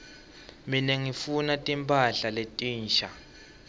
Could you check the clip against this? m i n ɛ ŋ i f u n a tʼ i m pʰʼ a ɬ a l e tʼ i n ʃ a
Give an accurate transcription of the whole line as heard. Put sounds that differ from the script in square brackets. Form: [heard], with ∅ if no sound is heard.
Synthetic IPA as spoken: m i n ɛ ŋ i f u n a tʼ i m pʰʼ a ɬ a l e tʼ [iː] n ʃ a